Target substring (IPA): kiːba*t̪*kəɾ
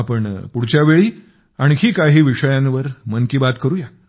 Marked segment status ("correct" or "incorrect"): correct